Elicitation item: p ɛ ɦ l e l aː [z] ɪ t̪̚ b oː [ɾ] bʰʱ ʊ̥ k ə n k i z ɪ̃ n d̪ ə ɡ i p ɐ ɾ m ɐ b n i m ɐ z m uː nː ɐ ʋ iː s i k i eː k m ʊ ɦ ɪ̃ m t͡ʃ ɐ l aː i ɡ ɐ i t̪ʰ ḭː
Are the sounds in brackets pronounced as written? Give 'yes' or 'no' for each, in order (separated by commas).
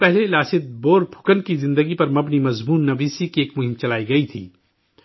no, yes